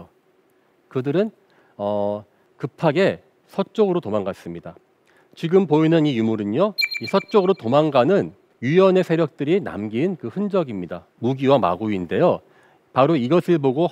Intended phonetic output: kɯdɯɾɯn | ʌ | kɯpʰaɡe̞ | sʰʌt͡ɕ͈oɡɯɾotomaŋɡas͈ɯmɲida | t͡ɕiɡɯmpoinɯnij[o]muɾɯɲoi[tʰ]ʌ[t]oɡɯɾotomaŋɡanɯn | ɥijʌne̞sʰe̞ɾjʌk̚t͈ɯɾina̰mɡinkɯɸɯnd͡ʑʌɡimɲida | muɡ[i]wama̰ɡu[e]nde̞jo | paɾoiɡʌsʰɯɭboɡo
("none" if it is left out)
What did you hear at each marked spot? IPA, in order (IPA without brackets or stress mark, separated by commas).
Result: u, sʰ, t͡ɕ͈, i, i